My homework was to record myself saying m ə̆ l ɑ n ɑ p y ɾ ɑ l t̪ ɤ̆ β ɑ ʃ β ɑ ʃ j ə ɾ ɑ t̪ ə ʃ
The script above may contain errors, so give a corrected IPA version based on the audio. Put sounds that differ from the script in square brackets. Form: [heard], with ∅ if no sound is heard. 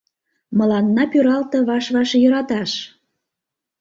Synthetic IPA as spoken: m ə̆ l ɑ [nː] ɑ p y ɾ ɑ l t̪ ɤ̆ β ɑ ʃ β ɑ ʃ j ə ɾ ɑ t̪ [ɑ] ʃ